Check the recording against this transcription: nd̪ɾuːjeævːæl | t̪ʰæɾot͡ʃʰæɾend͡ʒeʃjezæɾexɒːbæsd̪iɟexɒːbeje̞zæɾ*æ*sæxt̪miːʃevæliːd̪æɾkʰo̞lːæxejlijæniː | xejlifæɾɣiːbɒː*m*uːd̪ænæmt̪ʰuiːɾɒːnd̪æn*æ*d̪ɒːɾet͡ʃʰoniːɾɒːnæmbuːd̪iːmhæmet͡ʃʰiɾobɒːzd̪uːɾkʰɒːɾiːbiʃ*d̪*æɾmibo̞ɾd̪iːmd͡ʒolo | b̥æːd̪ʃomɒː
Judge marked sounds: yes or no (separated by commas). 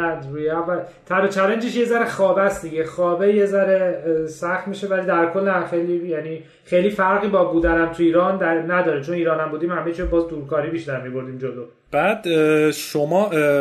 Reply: no, no, yes, no